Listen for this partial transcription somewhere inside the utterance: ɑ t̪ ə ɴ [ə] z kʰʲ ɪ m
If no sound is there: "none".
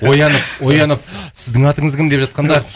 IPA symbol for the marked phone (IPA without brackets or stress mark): ə